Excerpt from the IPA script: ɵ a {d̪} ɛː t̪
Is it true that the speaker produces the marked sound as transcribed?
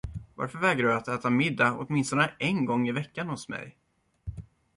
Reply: no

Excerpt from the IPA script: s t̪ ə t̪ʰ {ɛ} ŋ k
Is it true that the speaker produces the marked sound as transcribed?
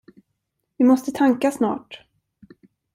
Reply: no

